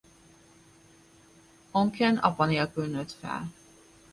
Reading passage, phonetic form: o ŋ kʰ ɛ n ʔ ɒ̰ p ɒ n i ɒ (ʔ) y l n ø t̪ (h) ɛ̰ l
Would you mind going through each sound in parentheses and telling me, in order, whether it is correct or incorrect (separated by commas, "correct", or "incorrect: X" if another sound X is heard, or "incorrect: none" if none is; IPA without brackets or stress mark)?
incorrect: k, incorrect: f